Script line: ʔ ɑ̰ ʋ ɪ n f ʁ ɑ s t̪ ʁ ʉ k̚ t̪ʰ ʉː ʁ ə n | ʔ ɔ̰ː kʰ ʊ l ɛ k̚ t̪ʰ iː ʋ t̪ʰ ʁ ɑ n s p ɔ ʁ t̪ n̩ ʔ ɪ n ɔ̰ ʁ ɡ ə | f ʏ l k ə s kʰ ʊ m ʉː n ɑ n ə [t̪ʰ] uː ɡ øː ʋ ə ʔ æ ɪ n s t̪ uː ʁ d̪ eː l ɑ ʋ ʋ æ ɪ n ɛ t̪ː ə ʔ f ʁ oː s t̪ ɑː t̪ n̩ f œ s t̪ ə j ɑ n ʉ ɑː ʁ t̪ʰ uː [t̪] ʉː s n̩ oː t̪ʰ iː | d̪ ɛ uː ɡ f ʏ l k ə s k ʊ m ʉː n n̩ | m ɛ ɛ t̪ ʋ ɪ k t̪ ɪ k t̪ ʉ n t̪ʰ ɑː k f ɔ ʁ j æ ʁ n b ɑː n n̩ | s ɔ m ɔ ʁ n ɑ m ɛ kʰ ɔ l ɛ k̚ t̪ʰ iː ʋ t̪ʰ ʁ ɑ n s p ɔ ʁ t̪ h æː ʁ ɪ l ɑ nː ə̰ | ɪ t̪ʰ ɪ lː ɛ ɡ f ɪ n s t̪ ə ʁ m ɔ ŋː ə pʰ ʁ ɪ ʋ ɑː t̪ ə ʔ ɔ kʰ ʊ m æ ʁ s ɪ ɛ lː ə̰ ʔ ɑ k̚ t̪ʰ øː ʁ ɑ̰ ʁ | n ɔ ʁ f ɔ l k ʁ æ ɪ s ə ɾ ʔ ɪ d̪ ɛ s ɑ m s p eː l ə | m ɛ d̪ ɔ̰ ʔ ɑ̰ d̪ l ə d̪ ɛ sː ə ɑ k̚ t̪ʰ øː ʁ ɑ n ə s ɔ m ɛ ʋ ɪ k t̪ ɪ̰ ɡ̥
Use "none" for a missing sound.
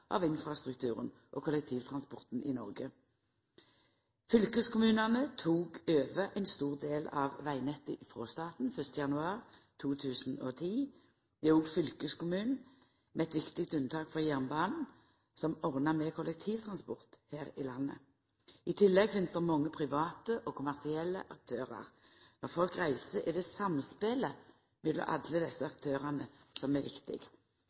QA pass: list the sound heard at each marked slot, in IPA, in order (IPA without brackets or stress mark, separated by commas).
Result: t̪ʰ, t̪ʰ